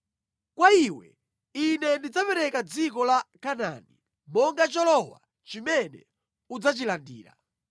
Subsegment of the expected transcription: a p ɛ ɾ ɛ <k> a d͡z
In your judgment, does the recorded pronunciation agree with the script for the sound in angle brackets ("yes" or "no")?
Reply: yes